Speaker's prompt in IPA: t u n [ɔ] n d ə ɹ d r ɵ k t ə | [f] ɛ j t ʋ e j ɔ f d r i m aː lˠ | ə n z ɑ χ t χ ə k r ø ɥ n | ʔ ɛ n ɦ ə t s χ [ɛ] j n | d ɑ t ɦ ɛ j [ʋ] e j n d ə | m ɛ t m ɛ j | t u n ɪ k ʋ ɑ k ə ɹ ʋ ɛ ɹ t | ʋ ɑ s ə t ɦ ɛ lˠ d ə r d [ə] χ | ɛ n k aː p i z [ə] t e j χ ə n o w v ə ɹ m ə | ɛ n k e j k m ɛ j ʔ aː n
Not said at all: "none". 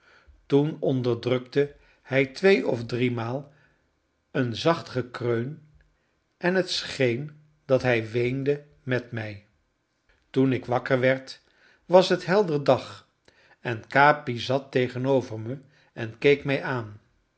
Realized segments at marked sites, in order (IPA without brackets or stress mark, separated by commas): ɔ, h, e, ʋ, ɑ, ɑ